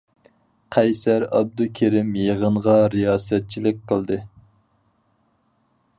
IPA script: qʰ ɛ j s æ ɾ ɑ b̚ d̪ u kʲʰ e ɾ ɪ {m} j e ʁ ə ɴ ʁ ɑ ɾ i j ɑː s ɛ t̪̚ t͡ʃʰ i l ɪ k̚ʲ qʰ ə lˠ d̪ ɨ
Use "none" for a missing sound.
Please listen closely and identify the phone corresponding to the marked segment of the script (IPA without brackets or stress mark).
m